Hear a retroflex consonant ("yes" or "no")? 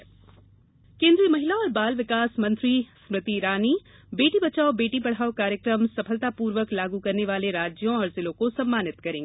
yes